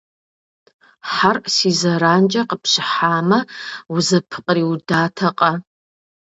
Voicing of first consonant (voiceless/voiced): voiceless